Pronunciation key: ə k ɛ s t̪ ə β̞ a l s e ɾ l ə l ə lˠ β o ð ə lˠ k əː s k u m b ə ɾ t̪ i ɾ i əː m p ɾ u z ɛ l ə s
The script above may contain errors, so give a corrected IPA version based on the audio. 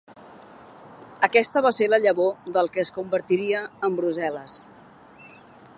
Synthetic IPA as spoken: ə k ɛ s t̪ ə β̞ a s e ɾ l ə ʎ ə β o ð ə lˠ k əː s k u m b ə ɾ t̪ i ɾ i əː m b ɾ u z ɛ l ə s